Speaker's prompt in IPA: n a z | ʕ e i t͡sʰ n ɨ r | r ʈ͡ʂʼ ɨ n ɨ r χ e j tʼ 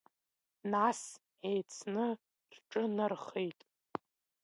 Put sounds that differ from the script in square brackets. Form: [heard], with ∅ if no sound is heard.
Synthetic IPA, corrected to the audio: n a [s] | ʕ e [j] t͡sʰ n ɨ [∅] | r ʈ͡ʂʼ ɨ n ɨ r χ e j tʼ